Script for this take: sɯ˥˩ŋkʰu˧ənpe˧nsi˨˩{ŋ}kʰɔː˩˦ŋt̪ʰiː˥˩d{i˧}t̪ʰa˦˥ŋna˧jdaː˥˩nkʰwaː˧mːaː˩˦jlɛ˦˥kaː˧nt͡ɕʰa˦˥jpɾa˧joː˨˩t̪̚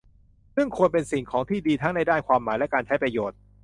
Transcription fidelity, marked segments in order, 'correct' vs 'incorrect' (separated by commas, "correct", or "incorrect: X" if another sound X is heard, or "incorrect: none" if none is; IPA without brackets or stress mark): correct, incorrect: iː˧